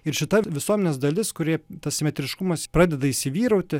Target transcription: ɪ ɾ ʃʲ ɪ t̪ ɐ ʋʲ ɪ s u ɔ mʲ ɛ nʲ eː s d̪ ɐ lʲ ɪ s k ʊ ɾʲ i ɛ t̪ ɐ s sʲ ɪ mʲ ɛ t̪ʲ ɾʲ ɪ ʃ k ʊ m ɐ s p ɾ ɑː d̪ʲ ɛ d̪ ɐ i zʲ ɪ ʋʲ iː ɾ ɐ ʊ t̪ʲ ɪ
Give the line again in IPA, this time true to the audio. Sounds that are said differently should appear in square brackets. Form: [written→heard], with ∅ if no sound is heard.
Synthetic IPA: ɪ ɾ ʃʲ ɪ t̪ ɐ ʋʲ ɪ s u ɔ mʲ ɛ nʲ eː s d̪ ɐ lʲ ɪ s k ʊ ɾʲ i ɛ t̪ ɐ s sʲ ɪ mʲ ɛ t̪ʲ ɾʲ ɪ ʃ k ʊ m ɐ s p ɾ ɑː d̪ʲ ɛ d̪ ɐ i [zʲ→sʲ] ɪ ʋʲ iː ɾ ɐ ʊ t̪ʲ ɪ

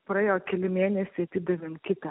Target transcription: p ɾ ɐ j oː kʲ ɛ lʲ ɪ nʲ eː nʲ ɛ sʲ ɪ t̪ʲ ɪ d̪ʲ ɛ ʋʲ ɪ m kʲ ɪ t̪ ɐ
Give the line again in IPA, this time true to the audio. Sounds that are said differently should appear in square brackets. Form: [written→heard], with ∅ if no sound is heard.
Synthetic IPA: p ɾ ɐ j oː kʲ ɛ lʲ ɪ [nʲ→mʲ] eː nʲ ɛ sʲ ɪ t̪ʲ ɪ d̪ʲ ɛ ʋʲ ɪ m kʲ ɪ t̪ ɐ

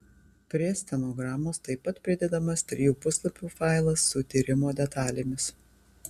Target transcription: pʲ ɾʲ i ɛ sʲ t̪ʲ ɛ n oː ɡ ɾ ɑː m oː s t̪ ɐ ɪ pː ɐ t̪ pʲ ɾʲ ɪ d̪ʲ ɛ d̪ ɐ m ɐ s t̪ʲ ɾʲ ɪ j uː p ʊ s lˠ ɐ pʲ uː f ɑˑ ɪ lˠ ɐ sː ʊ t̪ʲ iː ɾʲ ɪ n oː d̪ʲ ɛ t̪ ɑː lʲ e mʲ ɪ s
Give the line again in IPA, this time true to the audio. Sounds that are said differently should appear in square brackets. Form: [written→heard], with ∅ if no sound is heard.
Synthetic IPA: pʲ ɾʲ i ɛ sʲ t̪ʲ ɛ n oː ɡ ɾ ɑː m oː s t̪ ɐ ɪ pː ɐ t̪ pʲ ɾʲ ɪ d̪ʲ ɛ d̪ ɐ m ɐ s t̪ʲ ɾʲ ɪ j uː p ʊ s lˠ ɐ pʲ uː f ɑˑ ɪ lˠ ɐ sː ʊ t̪ʲ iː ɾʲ ɪ [n→m] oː d̪ʲ ɛ t̪ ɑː lʲ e mʲ ɪ s

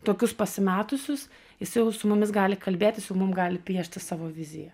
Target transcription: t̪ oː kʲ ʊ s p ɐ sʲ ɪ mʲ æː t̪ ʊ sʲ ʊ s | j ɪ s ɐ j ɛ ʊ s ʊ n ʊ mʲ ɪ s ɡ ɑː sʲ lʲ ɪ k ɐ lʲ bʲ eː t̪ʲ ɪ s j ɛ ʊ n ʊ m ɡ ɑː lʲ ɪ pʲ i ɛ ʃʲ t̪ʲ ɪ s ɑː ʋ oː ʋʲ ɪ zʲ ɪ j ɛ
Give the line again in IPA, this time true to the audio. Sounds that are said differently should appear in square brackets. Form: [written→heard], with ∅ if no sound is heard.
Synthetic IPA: t̪ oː kʲ ʊ s p ɐ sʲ ɪ mʲ æː t̪ ʊ sʲ ʊ s | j ɪ s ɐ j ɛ ʊ s ʊ [n→m] ʊ mʲ ɪ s ɡ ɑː [sʲ→∅] lʲ ɪ k ɐ lʲ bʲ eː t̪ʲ ɪ s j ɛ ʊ [n→m] ʊ m ɡ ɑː lʲ ɪ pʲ i ɛ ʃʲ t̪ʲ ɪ s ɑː ʋ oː ʋʲ ɪ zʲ ɪ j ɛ

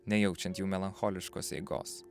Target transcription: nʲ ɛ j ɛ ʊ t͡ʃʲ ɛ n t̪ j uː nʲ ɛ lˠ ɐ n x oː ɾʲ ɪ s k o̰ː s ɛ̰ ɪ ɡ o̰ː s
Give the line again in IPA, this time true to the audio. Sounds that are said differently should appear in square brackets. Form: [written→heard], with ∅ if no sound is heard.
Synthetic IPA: nʲ ɛ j ɛ ʊ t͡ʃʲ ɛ n t̪ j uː [nʲ→mʲ] ɛ lˠ ɐ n x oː [ɾʲ→lʲ] ɪ [s→ʃ] k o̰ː s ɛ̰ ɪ ɡ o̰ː s

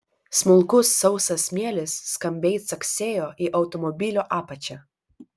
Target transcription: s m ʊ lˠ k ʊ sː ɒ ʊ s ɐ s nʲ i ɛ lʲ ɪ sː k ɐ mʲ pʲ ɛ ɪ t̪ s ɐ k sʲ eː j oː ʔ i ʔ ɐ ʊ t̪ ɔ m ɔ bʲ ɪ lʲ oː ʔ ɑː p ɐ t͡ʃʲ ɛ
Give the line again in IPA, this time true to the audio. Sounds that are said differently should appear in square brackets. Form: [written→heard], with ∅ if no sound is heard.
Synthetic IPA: s m ʊ lˠ k ʊ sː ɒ ʊ s ɐ s [nʲ→mʲ] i ɛ lʲ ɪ sː k ɐ mʲ [pʲ→bʲ] ɛ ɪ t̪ s ɐ k sʲ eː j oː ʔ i ʔ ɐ ʊ t̪ ɔ m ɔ bʲ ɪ lʲ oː ʔ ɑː p ɐ t͡ʃʲ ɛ

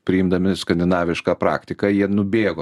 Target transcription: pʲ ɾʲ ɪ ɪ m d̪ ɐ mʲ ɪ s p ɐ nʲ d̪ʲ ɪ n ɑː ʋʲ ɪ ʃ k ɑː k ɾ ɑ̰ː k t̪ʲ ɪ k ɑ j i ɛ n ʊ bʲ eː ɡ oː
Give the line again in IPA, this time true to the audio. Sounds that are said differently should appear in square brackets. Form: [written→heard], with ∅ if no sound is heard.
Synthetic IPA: pʲ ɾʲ ɪ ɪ m d̪ ɐ mʲ ɪ s [p→k] ɐ nʲ d̪ʲ ɪ n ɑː ʋʲ ɪ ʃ k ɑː [k→p] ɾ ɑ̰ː k t̪ʲ ɪ k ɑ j i ɛ n ʊ bʲ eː ɡ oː

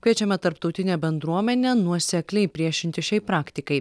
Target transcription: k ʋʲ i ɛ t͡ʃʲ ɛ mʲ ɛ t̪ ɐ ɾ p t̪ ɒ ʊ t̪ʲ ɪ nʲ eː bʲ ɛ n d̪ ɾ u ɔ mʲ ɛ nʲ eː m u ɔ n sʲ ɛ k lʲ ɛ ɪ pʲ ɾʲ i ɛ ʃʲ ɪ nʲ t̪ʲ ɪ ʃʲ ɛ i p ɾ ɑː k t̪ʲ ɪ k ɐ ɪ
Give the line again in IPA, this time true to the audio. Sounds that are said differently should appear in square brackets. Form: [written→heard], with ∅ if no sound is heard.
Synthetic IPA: k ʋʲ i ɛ t͡ʃʲ ɛ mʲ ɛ t̪ ɐ ɾ p t̪ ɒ ʊ t̪ʲ ɪ nʲ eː bʲ ɛ n d̪ ɾ u ɔ mʲ ɛ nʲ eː [m→n] u ɔ [n→∅] sʲ ɛ k lʲ ɛ ɪ pʲ ɾʲ i ɛ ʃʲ ɪ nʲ t̪ʲ ɪ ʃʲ ɛ [i→ɪ] p ɾ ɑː k t̪ʲ ɪ k ɐ ɪ

